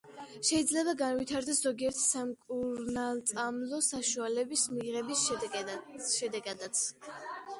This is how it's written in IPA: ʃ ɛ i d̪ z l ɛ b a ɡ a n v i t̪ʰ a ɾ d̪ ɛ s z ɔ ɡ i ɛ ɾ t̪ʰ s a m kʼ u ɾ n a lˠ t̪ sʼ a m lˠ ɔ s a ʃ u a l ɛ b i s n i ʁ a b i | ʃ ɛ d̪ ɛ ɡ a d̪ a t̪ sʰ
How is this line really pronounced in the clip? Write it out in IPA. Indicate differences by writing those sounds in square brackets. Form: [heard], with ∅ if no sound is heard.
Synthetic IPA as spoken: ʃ ɛ i d̪ z l ɛ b a ɡ a n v i t̪ʰ a ɾ d̪ ɛ s z ɔ ɡ i ɛ ɾ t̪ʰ s a m kʼ u ɾ n a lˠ t̪ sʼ a m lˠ ɔ s a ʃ u a l ɛ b i s [m] i ʁ [ɛ] b i | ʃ ɛ d̪ ɛ ɡ a d̪ a t̪ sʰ